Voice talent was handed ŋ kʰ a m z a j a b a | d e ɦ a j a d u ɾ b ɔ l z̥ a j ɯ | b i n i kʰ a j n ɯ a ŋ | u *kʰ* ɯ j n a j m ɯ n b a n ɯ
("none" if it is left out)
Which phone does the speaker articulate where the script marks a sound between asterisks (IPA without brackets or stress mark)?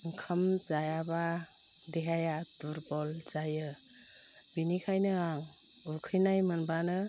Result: kʰ